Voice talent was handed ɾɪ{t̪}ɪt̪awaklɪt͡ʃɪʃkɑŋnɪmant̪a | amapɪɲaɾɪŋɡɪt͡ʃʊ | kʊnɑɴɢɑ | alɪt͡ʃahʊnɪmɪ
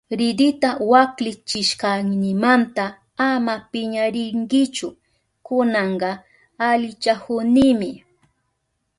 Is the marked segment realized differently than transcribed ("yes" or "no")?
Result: yes